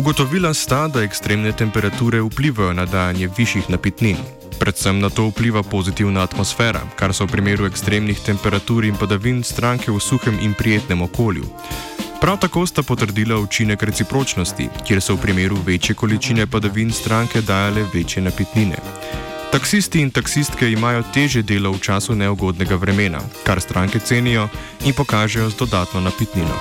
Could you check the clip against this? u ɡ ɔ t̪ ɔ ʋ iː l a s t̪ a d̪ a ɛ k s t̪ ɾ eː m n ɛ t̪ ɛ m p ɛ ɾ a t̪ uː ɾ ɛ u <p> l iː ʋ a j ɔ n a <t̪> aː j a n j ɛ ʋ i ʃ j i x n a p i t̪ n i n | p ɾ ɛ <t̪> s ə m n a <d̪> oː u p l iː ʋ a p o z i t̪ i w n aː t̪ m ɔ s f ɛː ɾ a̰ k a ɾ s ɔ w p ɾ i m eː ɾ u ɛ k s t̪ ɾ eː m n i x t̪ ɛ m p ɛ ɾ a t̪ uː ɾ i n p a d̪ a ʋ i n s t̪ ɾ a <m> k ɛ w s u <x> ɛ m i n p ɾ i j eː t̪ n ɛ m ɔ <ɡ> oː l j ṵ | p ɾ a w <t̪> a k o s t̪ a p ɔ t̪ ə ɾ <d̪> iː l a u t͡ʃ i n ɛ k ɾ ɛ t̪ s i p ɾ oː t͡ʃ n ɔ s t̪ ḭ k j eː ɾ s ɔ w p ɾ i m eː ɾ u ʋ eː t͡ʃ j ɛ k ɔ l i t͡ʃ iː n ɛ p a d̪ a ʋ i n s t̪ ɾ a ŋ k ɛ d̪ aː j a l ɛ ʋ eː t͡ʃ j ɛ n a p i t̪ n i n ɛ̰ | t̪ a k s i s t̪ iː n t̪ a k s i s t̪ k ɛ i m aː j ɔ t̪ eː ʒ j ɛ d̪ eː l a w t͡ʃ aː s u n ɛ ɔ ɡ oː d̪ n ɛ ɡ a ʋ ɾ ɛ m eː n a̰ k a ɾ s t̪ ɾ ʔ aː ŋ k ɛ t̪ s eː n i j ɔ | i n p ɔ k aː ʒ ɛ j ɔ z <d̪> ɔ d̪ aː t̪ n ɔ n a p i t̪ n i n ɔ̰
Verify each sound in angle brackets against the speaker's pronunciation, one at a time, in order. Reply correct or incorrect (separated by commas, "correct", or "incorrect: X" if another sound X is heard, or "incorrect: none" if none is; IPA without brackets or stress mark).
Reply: correct, incorrect: d̪, correct, incorrect: t̪, incorrect: ŋ, correct, incorrect: k, correct, correct, correct